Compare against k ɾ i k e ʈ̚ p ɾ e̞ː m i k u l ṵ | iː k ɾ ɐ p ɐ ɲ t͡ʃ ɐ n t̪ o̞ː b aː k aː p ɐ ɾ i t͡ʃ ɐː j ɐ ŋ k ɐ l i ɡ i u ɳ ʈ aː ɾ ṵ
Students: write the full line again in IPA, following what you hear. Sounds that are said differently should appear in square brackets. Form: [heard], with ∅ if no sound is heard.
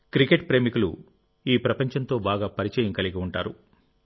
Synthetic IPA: k ɾ i k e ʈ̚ p ɾ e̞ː m i k u l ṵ | iː [p] ɾ ɐ p ɐ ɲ t͡ʃ ɐ n t̪ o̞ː b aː [ɡ] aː p ɐ ɾ i t͡ʃ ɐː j ɐ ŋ k ɐ l i ɡ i u ɳ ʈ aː ɾ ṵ